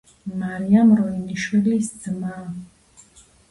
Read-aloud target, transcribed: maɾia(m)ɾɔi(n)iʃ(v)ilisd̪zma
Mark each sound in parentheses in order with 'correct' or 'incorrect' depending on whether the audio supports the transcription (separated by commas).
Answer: correct, correct, incorrect